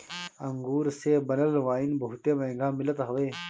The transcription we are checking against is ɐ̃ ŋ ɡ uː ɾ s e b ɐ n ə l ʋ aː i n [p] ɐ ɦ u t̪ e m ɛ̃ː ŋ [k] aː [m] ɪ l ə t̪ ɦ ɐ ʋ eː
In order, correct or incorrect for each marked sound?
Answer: incorrect, incorrect, correct

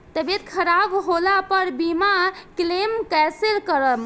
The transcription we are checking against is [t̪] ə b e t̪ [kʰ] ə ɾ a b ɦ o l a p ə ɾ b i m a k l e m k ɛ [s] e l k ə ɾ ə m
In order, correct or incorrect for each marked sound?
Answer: correct, correct, correct

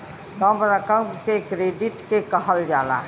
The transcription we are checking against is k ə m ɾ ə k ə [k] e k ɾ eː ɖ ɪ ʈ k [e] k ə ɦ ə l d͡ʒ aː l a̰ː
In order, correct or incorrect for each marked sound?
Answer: correct, correct

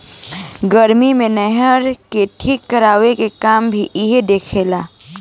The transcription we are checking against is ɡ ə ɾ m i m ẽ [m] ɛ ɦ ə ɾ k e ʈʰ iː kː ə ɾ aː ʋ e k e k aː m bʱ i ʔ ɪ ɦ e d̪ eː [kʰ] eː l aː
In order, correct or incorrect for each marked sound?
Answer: incorrect, correct

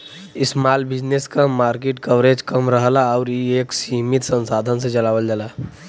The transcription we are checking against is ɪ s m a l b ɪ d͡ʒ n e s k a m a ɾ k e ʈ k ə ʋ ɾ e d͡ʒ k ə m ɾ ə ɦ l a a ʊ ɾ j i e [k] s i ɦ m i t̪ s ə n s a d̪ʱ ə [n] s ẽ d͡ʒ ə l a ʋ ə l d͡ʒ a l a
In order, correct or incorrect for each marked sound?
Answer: correct, correct

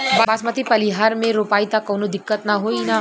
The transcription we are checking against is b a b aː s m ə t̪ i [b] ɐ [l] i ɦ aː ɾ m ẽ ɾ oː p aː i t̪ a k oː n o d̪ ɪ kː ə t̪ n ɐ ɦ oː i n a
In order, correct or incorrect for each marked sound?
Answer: incorrect, correct

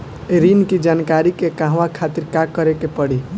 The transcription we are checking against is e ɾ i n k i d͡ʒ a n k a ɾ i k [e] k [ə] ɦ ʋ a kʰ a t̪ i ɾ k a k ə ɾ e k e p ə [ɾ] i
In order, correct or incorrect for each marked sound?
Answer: correct, incorrect, incorrect

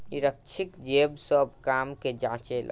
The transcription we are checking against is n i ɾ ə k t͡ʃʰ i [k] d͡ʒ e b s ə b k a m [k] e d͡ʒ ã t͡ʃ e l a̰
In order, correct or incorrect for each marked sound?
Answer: correct, correct

